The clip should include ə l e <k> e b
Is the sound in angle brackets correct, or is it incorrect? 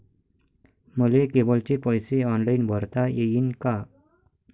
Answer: correct